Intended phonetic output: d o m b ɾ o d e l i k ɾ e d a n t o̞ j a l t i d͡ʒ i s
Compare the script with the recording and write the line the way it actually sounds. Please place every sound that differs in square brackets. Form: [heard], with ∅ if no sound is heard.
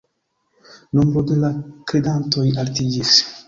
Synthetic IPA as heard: [n] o m b ɾ o d e l [a] k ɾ e d a n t o̞ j a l t i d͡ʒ i s

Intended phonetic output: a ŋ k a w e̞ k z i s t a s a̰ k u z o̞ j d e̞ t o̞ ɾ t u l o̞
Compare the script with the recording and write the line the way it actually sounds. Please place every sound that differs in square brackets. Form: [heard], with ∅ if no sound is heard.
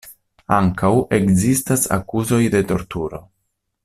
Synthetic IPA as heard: a ŋ k a w e̞ k z i s t a s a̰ k u z o̞ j d e̞ t o̞ ɾ t u [ɾ] o̞

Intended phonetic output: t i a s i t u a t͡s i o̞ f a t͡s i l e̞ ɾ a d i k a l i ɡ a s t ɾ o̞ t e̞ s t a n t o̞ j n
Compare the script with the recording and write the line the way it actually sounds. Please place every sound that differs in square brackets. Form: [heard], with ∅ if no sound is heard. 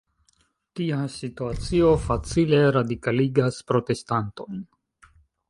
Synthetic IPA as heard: t i a s i t u a t͡s i o̞ f a t͡s i l e̞ ɾ a d i k a l i ɡ a s [p] ɾ o̞ t e̞ s t a n t o̞ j n

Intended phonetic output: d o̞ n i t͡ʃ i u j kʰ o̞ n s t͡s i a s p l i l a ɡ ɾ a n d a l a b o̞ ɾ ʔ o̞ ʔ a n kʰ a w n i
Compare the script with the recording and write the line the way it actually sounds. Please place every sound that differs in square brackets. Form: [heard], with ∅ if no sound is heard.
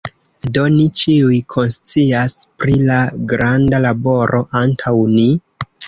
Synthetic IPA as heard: d o̞ n i t͡ʃ i u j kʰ o̞ n s t͡s i a s p [ɾ] i l a ɡ ɾ a n d a l a b o̞ ɾ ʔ o̞ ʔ a n [tʰ] a w n i

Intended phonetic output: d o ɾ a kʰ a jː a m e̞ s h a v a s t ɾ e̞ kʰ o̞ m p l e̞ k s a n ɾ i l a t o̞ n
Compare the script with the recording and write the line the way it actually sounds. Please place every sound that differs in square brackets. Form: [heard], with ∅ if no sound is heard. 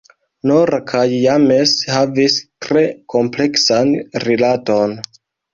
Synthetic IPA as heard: [n] o ɾ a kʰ a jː a m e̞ s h a v [i] s t ɾ e̞ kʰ o̞ m p l e̞ k s a n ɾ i l a t o̞ n

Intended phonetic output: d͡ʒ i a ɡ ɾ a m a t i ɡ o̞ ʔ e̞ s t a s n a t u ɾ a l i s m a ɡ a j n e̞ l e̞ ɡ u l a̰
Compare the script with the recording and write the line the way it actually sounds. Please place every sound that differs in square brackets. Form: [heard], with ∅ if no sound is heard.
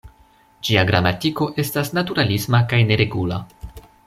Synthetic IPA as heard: d͡ʒ i a ɡ ɾ a m a t i [k] o̞ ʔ e̞ s t a s n a t u ɾ a l i s m a [k] a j n e̞ [ɾ] e̞ ɡ u l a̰

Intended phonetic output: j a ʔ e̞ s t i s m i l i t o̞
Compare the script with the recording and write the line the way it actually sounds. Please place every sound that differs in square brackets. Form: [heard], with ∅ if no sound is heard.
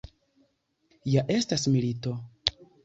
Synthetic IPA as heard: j a ʔ e̞ s t [a] s m i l i t o̞

